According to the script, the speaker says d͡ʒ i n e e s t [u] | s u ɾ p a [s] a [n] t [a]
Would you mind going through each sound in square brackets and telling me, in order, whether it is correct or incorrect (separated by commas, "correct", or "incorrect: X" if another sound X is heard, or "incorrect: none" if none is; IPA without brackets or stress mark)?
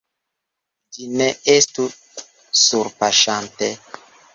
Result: correct, incorrect: ʃ, correct, incorrect: e